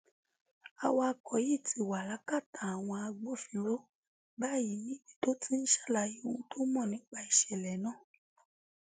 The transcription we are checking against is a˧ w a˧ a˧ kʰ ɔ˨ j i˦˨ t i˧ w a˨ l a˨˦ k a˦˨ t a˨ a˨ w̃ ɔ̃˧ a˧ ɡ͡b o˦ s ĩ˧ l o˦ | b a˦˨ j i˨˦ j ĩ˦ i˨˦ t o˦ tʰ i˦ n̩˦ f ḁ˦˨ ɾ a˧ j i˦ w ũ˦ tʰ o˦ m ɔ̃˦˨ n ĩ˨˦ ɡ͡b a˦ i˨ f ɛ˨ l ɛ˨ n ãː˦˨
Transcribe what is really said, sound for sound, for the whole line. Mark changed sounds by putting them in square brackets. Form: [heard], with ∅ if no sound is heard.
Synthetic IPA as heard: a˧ w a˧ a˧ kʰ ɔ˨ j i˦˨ t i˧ w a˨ l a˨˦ k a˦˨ t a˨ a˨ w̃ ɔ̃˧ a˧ ɡ͡b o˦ [f] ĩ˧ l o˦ | b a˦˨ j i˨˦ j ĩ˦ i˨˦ t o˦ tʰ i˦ n̩˦ [ʃ] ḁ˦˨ [l] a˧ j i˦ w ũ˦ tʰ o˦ m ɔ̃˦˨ n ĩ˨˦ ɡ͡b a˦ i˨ [ʃ] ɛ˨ l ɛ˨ n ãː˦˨